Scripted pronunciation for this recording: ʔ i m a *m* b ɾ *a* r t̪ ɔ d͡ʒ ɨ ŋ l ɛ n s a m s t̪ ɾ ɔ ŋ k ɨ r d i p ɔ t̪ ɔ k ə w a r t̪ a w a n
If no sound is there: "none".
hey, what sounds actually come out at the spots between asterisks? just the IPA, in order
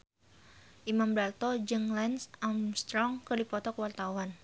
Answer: m, a

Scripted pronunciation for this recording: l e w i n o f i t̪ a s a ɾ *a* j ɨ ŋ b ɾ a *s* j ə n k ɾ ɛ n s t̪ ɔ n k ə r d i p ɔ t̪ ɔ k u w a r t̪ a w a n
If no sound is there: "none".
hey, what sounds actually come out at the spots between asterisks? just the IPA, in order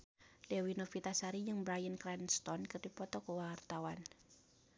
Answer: i, none

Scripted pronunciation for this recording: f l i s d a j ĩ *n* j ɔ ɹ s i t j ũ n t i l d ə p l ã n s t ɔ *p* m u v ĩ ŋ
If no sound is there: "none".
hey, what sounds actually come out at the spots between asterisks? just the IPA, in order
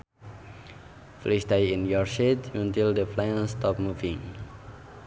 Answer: n, p

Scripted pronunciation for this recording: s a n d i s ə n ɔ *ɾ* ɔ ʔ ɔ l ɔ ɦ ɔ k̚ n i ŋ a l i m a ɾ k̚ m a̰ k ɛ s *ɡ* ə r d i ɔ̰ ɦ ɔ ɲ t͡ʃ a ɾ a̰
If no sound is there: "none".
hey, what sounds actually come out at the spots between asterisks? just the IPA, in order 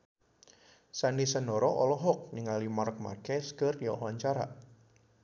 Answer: ɾ, k

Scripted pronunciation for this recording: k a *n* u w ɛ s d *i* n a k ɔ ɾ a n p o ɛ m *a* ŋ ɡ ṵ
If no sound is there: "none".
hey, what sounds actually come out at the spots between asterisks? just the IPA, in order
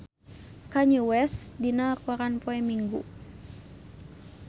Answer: ɲ, i, i

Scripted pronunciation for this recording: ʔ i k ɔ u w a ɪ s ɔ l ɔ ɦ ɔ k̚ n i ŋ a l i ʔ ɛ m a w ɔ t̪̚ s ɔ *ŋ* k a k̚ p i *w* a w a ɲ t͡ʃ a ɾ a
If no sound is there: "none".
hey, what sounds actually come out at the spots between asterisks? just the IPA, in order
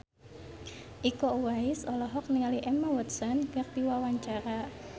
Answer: n, w

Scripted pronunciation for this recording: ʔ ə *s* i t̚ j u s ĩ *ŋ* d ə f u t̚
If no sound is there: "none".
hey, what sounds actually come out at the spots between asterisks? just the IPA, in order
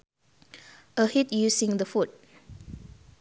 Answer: h, ŋ

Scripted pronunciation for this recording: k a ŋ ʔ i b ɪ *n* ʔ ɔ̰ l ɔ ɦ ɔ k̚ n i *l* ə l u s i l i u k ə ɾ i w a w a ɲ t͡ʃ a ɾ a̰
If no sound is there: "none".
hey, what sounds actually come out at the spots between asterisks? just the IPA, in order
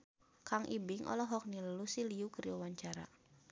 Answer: ŋ, l

